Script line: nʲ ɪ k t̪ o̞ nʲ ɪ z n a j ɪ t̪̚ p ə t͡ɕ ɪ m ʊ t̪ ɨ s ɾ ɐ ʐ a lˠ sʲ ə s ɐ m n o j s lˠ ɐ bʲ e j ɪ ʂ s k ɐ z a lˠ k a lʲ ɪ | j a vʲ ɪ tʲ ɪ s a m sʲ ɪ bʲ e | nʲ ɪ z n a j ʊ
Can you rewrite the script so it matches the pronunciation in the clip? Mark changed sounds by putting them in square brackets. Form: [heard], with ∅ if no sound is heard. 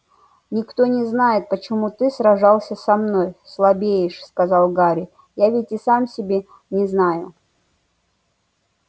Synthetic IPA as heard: nʲ ɪ k t̪ o̞ nʲ ɪ z n a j ɪ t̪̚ p ə t͡ɕ ɪ m [u] t̪ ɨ s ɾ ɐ ʐ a lˠ sʲ ə s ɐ m n o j s lˠ ɐ bʲ e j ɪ ʂ s k ɐ z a lˠ [ɡ] a [ɾʲ] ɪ | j a vʲ ɪ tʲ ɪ s a m sʲ ɪ bʲ e | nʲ ɪ z n a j ʊ